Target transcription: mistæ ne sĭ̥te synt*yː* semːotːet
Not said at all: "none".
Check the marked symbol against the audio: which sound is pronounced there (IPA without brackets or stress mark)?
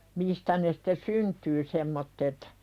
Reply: yː